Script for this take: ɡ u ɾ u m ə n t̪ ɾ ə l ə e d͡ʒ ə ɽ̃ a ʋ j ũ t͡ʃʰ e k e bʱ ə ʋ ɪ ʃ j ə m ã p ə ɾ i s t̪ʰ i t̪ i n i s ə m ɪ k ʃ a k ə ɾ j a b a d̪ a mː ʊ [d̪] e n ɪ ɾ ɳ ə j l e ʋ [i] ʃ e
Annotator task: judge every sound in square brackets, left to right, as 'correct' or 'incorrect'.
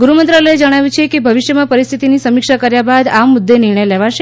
incorrect: d̪ː, incorrect: a

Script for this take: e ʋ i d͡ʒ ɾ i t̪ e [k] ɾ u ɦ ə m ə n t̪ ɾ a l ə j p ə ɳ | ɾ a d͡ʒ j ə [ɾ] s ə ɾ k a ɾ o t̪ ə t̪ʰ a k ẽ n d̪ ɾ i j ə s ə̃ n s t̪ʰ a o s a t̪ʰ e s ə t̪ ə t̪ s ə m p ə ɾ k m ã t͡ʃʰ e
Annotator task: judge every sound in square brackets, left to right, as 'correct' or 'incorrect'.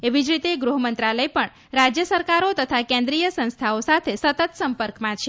incorrect: ɡ, incorrect: none

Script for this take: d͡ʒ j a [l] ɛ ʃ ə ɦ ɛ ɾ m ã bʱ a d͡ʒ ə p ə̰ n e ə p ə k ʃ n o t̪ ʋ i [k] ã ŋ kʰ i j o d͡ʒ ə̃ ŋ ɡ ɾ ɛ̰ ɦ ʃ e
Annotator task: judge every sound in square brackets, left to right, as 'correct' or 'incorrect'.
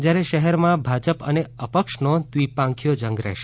incorrect: ɾ, incorrect: p

